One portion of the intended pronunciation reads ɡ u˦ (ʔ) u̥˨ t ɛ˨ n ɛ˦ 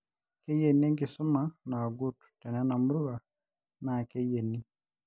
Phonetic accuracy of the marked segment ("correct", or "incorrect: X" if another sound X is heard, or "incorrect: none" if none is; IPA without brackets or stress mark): incorrect: t